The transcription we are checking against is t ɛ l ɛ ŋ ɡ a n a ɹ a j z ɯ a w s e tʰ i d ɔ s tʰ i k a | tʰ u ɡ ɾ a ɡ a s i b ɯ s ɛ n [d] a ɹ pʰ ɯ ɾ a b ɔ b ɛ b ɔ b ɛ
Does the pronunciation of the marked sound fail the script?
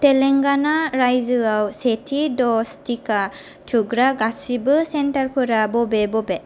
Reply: yes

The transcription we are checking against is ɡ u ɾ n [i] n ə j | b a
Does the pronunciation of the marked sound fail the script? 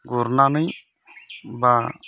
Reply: yes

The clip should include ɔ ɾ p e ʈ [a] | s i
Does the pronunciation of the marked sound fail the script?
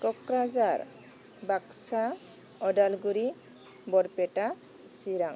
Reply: no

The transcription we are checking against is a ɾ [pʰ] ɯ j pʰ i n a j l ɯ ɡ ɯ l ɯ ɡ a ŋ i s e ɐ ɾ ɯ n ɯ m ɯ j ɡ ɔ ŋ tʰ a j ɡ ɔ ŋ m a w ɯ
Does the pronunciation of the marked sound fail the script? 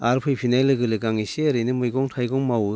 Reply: no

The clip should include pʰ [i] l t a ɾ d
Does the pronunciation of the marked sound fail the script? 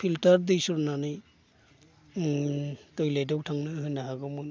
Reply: no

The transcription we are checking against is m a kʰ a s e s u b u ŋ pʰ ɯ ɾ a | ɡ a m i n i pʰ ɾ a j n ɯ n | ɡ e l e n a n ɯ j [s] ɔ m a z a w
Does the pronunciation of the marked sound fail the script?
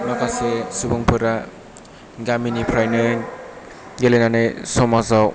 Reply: no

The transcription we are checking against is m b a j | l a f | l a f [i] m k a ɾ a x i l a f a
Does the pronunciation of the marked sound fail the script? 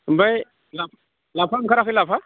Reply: yes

